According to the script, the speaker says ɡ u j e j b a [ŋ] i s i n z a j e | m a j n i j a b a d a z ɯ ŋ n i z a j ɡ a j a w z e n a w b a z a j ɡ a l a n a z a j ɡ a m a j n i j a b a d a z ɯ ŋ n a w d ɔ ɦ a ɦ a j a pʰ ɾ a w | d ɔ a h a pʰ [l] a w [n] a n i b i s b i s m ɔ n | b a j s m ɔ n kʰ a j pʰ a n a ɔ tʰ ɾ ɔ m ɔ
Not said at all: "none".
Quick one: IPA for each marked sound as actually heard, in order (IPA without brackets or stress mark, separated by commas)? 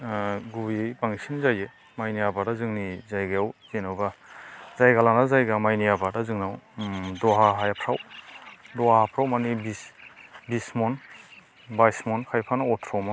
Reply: ŋ, ɾ, m